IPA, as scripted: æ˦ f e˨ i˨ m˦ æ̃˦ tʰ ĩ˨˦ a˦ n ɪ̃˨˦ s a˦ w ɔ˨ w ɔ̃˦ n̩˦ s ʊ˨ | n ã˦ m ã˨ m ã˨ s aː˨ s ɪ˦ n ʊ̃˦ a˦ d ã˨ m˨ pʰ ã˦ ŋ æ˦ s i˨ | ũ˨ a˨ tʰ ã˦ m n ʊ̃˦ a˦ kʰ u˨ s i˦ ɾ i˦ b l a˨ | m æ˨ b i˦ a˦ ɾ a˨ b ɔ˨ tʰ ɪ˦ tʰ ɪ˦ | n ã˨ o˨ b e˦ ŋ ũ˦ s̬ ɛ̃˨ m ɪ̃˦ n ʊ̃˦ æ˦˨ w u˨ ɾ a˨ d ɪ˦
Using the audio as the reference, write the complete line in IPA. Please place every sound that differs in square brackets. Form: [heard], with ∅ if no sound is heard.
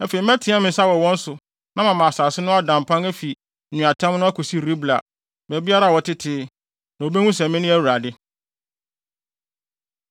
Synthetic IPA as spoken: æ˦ f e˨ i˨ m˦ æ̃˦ tʰ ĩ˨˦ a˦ [m] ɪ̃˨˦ s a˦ w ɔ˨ w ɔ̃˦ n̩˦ s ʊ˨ | n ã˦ m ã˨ m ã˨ s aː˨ s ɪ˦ n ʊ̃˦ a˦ d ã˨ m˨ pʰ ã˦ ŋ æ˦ [f] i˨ | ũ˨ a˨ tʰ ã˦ m n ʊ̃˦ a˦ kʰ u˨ s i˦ ɾ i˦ b l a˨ | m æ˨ b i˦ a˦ ɾ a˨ [w] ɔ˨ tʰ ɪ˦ tʰ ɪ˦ | n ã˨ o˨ b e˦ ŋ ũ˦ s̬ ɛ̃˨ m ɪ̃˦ n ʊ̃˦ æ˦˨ w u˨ ɾ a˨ d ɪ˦